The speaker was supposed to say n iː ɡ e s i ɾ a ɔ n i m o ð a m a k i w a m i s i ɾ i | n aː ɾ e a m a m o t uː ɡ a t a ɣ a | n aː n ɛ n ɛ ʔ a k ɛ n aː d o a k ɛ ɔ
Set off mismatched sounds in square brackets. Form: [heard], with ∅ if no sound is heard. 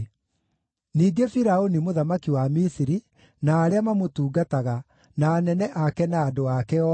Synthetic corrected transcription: n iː ɡ e [f] i ɾ a [o] n i m o ð a m a k i w a m i s i ɾ i | n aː ɾ e a m a m o t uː ɡ a t a ɣ a | n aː n ɛ n ɛ ʔ a k ɛ n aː d o a k ɛ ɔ